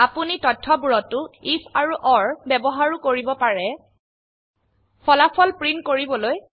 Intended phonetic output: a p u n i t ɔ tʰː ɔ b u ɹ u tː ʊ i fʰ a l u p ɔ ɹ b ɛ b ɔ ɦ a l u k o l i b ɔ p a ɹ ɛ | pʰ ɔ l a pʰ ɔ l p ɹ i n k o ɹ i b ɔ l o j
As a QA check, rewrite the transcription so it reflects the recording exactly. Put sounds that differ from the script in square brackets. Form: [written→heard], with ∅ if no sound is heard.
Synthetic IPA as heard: a p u n i t ɔ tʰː ɔ b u ɹ [u→ɔ] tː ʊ i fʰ a [l→ɹ] u [p→ʔ] ɔ ɹ b ɛ b ɔ ɦ a [l→ɹ] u k o [l→ɹ] i b ɔ p a ɹ ɛ | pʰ ɔ l a pʰ ɔ l p ɹ i n k o ɹ i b ɔ l o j

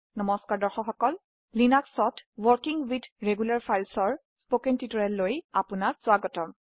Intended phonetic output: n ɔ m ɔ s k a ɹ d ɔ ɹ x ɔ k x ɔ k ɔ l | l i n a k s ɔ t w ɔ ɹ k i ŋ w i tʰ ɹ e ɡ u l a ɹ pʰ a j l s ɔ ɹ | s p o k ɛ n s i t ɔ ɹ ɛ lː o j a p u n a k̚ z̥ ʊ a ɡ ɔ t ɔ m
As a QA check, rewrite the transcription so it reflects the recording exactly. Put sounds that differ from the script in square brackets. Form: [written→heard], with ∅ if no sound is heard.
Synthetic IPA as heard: n ɔ m ɔ s k a ɹ d ɔ ɹ x ɔ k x ɔ k ɔ l | l i n a k s ɔ t w ɔ ɹ k i ŋ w i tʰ ɹ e ɡ u l a ɹ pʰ a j l s ɔ ɹ | s p o k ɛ n [s→t] i t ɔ ɹ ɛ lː o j a p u n a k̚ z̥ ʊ a ɡ ɔ t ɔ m

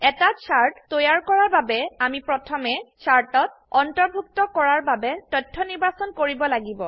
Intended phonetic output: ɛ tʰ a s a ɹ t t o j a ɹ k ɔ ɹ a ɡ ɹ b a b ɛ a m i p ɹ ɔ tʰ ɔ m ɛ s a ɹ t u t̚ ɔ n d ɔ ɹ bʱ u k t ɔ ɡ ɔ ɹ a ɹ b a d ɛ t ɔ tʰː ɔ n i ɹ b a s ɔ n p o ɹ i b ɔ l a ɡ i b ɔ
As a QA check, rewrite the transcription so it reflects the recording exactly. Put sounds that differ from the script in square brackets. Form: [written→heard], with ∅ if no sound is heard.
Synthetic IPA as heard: ɛ [tʰ→t] a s a ɹ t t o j a ɹ k ɔ ɹ a [ɡ→∅] ɹ b a b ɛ a m i p ɹ ɔ tʰ ɔ m ɛ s a ɹ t [u→ɔ] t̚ ɔ n [d→t] ɔ ɹ bʱ u k t ɔ [ɡ→k] ɔ ɹ a ɹ b a [d→b] ɛ t ɔ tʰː ɔ n i ɹ b a s ɔ n [p→k] o ɹ i b ɔ l a ɡ i b ɔ

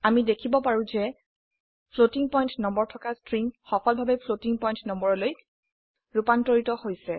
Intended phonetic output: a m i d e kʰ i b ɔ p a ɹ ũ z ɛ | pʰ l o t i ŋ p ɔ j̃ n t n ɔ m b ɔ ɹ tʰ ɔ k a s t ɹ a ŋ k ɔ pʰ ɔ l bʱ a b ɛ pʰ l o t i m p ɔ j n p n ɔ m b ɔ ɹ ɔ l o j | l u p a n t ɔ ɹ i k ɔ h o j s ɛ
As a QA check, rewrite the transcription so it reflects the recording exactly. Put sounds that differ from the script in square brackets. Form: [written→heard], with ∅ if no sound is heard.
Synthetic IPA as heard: a m i d e kʰ i b ɔ p a ɹ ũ z ɛ | pʰ l o t i ŋ p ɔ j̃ n t n ɔ m b ɔ ɹ tʰ ɔ k a s t ɹ [a→i] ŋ [k→x] ɔ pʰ ɔ l bʱ a b ɛ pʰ l o t i [m→ŋ] p ɔ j n [p→t] n ɔ m b ɔ ɹ ɔ l o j | [l→ɹ] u p a n t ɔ ɹ i [k→t] ɔ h o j s ɛ

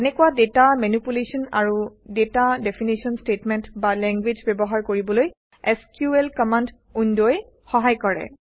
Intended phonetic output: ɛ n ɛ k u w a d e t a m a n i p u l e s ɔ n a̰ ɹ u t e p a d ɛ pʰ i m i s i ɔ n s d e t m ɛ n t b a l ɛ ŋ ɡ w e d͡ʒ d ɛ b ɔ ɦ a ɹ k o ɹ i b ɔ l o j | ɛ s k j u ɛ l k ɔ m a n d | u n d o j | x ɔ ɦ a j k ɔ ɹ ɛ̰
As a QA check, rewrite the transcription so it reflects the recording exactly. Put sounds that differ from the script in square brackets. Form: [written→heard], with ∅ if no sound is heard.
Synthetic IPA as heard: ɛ n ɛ k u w a d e t a m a n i p u l e s ɔ n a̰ ɹ u [t→d] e [p→t] a d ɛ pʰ i [m→n] i s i ɔ n s [d→t] e t m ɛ n t b a l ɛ ŋ ɡ w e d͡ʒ [d→b] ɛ b ɔ ɦ a ɹ k o ɹ i b ɔ l o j | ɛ s k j u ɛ l k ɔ m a n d | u n d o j | x ɔ ɦ a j k ɔ ɹ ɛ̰

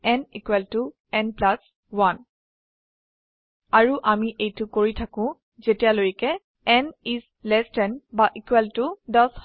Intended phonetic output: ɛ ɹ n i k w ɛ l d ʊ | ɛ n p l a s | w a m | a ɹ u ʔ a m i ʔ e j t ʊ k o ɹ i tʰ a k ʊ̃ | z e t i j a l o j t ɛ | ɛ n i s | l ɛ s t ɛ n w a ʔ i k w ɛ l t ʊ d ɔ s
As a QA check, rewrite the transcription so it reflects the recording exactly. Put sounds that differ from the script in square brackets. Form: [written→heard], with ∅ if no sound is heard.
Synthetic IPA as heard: ɛ [ɹ→∅] n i k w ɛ l [d→t] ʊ | ɛ n p l a s | w a [m→n] | a ɹ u ʔ a m i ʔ e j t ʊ k o ɹ i tʰ a k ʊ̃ | z e t i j a l o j [t→k] ɛ | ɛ n i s | l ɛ s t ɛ n [w→b] a ʔ i k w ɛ l t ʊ d ɔ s

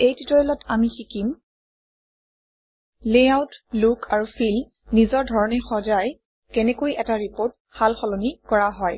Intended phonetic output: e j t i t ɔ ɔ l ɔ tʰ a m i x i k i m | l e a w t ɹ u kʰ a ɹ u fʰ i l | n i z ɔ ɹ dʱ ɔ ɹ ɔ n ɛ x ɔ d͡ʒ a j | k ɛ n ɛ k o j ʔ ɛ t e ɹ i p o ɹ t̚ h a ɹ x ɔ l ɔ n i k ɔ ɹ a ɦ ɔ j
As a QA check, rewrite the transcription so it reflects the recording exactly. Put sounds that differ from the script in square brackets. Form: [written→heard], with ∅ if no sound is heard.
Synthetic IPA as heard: e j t i t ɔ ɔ l ɔ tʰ a m i x i k i m | l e a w t [ɹ→l] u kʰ a ɹ u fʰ i l | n i z ɔ ɹ dʱ ɔ ɹ ɔ n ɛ x ɔ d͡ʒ a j | k ɛ n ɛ k o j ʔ ɛ t [e→a] ɹ i p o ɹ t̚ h a [ɹ→l] x ɔ l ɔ n i k ɔ ɹ a ɦ ɔ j

